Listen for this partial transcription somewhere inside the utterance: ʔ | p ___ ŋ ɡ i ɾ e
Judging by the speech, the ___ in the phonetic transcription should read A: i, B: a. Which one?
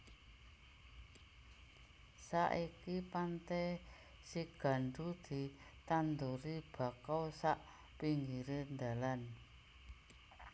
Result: A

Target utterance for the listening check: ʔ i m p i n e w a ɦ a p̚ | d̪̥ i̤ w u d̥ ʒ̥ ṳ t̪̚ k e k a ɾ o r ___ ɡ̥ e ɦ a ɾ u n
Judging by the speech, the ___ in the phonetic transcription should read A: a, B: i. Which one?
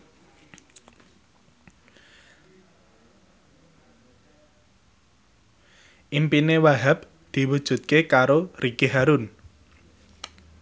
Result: B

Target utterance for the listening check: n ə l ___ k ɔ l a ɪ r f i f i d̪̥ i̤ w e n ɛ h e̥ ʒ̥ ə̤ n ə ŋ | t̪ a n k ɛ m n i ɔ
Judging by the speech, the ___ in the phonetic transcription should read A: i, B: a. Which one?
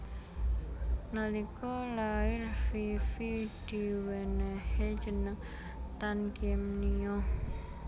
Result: A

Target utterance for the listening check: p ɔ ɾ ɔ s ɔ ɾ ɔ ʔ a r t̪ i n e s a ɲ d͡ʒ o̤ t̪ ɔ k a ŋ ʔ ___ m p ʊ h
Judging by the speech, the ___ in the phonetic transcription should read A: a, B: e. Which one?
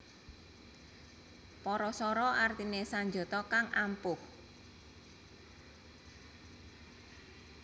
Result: A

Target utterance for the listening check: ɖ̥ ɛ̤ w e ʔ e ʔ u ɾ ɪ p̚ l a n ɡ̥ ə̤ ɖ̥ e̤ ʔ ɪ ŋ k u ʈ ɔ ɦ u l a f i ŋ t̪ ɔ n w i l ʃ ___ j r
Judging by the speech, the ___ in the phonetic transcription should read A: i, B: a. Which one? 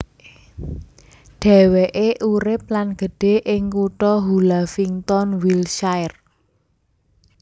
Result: B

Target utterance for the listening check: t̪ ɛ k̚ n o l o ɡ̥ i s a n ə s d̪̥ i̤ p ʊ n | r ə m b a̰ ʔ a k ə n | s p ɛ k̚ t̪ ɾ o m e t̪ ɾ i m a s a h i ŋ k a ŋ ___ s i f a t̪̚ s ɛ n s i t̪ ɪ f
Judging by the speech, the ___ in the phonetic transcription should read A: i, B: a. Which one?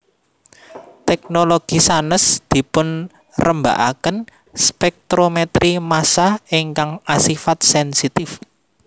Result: B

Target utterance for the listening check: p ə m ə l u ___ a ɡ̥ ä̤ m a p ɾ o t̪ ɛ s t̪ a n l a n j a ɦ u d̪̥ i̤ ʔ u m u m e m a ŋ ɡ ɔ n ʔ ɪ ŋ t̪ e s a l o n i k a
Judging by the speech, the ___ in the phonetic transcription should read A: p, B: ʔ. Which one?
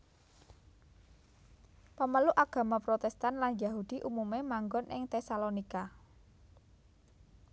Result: B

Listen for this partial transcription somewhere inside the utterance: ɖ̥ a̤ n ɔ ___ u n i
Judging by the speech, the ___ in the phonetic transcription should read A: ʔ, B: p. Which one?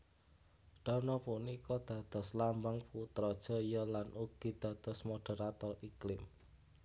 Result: B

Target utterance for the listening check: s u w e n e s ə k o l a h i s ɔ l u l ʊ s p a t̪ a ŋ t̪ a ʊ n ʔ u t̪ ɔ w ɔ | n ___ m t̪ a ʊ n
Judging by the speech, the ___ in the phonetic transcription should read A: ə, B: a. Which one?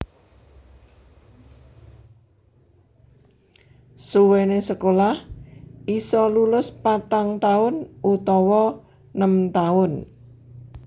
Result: A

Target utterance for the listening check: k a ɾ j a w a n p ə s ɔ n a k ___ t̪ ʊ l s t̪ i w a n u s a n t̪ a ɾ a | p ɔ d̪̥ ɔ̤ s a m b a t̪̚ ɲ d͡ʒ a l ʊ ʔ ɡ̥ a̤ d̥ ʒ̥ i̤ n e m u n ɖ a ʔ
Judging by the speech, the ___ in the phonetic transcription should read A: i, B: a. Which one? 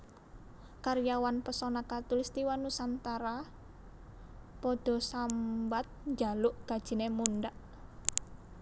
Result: B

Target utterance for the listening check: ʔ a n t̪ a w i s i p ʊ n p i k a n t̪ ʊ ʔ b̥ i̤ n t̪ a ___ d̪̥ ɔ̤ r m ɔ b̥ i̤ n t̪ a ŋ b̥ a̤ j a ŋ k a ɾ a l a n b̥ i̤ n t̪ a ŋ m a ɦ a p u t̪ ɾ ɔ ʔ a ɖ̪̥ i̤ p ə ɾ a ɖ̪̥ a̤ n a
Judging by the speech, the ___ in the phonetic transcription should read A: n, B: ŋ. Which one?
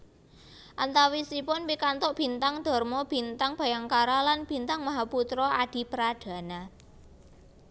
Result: B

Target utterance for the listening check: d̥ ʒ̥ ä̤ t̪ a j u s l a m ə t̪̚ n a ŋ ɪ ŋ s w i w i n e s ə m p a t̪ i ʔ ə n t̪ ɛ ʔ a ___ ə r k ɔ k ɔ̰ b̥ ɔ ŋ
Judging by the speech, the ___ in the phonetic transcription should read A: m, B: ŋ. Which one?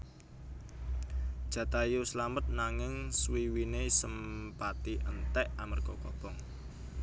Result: A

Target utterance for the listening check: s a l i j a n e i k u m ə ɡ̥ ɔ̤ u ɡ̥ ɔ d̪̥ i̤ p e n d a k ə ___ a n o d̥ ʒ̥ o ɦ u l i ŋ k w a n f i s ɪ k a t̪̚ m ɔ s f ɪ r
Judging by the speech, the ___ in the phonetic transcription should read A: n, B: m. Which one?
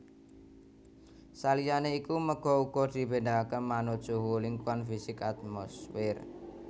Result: B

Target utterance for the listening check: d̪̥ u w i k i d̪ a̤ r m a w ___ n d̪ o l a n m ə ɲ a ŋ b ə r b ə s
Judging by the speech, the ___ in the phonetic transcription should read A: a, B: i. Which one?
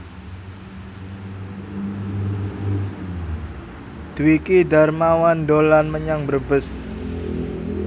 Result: A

